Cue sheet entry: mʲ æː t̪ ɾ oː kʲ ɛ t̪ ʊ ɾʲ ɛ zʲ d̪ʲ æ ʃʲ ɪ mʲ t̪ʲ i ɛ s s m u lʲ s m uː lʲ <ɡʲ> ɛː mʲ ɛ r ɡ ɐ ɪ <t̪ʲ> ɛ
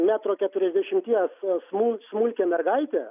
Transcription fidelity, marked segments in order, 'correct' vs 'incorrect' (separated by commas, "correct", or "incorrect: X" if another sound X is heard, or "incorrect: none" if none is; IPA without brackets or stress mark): incorrect: kʲ, correct